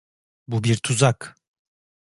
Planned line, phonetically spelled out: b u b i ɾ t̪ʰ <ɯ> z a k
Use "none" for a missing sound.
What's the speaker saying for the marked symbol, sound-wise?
u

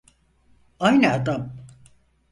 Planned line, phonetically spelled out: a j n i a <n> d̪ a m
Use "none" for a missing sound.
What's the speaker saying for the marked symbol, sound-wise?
none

